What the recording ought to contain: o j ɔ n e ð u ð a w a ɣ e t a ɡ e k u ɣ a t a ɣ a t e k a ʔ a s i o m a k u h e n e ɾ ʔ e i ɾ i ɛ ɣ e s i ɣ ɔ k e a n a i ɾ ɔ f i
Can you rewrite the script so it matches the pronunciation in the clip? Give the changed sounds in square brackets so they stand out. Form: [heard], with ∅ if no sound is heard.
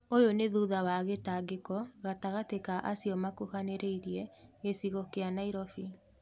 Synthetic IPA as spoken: o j [o] n e ð u ð a w a ɣ e t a ɡ e k [ɔ] ɣ a t a ɣ a t e k a ʔ a s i [ɔ] m a k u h [a] n e ɾ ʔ e i ɾ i ɛ ɣ e s i ɣ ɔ k e a n a i ɾ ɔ f i